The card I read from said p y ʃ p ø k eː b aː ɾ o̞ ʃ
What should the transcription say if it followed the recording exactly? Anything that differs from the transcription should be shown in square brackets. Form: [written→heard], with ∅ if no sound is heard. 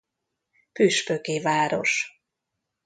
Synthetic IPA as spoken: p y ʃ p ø k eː [b→v] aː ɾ o̞ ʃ